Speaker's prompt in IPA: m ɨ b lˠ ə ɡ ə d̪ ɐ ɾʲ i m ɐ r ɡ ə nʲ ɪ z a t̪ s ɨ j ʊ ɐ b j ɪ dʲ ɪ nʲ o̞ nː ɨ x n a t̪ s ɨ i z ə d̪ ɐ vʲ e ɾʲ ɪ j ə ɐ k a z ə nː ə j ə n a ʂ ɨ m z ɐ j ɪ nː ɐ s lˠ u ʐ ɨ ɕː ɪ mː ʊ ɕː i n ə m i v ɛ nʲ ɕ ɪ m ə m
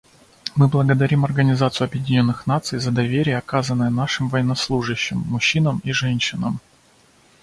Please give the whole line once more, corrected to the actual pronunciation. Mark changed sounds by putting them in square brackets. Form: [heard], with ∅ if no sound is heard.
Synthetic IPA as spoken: m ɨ b lˠ ə ɡ ə d̪ ɐ ɾʲ i m ɐ r ɡ ə nʲ ɪ z a t̪ s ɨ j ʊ ɐ b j ɪ dʲ ɪ nʲ o̞ nː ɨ x n a t̪ s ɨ [j] z ə d̪ ɐ vʲ e ɾʲ ɪ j ə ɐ k a z ə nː ə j ə n a ʂ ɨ m [v] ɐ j ɪ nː ɐ s lˠ u ʐ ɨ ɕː ɪ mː ʊ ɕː i n ə m i [ʐ] ɛ nʲ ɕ ɪ [n] ə m